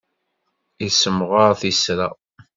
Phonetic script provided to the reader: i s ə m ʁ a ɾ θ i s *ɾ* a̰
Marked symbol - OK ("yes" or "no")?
yes